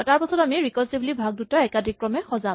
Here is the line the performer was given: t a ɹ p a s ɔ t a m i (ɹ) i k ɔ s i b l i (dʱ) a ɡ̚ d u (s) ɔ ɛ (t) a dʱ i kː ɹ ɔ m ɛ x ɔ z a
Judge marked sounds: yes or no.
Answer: yes, no, no, no

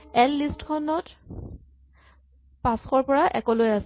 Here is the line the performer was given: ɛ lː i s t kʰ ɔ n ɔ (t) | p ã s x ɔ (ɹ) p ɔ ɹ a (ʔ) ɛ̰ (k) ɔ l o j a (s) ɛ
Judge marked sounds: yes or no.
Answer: yes, yes, yes, yes, yes

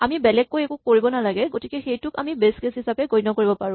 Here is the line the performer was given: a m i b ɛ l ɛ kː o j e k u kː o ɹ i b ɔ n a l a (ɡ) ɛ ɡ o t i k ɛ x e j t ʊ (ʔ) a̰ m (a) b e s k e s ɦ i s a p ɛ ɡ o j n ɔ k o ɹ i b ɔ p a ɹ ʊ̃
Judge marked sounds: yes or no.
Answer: yes, no, no

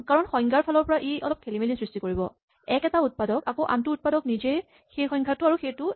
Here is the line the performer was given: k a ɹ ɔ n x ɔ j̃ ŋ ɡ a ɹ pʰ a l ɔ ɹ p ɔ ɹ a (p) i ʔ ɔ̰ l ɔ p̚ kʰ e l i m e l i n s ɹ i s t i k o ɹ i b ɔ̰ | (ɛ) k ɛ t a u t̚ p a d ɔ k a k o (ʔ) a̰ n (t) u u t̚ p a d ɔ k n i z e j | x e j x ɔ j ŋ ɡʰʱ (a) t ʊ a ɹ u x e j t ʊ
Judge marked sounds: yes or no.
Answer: no, yes, yes, yes, yes

